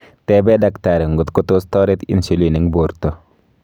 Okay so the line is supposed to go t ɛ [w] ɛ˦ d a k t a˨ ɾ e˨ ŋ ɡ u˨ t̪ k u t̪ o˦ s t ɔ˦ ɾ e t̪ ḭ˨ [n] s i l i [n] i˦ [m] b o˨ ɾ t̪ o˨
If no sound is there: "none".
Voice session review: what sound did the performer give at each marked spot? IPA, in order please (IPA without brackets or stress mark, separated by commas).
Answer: b, n, n, ŋ